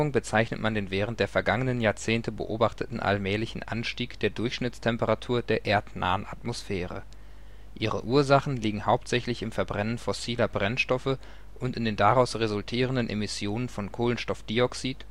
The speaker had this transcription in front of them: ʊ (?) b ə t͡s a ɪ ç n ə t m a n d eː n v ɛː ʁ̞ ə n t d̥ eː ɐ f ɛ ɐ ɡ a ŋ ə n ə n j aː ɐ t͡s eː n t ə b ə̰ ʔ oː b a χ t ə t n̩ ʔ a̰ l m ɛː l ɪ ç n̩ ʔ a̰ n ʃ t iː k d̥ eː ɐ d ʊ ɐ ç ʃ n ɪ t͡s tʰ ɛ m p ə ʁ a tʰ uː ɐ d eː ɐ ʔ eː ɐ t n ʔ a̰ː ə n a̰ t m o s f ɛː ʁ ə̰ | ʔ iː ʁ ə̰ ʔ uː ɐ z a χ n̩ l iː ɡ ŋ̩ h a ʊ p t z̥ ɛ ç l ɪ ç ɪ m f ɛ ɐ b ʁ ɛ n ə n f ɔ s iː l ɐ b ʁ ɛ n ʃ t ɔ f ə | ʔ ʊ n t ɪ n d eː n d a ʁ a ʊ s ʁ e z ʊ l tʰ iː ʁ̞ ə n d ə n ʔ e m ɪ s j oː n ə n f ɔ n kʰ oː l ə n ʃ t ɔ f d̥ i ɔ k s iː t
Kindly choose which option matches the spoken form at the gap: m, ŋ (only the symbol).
ŋ